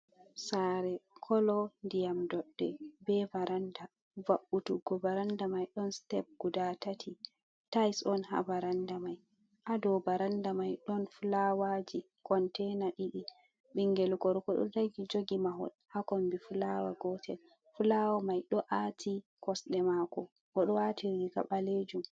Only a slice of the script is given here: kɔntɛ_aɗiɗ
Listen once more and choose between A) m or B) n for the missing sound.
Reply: B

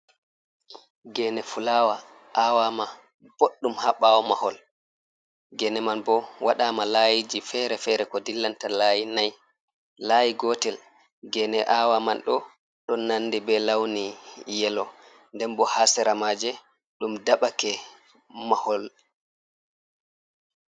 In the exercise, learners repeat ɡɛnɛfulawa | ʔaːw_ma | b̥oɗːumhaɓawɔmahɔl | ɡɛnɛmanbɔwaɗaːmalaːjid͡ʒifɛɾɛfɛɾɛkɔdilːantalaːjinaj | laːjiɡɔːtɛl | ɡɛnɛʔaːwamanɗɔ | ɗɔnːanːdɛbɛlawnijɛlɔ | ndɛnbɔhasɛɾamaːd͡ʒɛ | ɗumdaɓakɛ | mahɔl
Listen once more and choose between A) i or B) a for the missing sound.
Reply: B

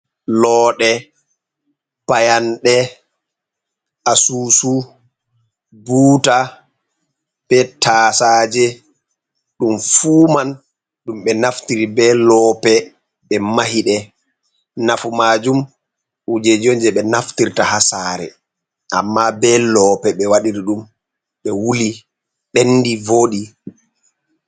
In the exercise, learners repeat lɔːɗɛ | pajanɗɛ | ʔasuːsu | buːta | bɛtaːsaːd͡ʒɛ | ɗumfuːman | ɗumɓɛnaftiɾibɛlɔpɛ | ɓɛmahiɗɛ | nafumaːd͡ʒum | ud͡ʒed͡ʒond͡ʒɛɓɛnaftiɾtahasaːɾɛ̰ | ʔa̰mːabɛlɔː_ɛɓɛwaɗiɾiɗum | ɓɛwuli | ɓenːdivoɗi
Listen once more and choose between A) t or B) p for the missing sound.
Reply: B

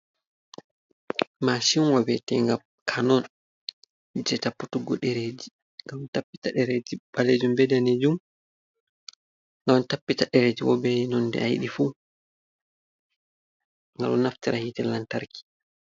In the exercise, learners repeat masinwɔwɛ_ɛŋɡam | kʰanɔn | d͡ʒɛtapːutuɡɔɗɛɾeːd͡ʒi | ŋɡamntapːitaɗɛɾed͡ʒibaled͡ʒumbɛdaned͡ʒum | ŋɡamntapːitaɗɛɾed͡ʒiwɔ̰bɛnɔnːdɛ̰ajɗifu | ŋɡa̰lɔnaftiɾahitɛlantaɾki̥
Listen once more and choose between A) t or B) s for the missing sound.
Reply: A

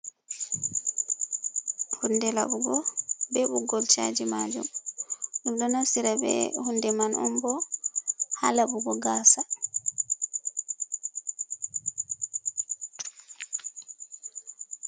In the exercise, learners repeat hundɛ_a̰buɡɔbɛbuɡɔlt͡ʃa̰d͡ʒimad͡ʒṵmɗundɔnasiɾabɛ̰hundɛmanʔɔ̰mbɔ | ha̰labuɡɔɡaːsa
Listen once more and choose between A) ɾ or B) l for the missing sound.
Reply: B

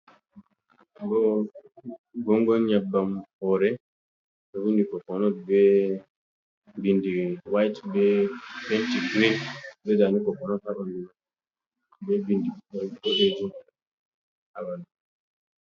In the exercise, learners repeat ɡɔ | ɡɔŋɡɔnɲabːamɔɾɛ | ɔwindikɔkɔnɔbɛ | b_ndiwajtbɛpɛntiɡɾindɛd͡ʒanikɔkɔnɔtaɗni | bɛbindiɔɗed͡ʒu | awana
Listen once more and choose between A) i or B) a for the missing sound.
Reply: A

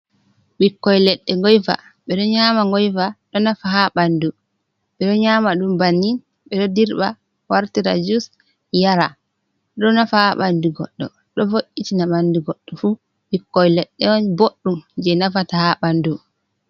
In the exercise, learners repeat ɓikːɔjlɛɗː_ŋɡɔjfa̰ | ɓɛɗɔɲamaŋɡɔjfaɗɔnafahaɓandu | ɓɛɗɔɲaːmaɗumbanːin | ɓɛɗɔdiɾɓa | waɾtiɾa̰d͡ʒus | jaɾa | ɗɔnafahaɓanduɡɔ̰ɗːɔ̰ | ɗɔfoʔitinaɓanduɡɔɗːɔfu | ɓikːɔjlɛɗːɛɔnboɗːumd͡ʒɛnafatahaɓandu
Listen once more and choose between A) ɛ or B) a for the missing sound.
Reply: A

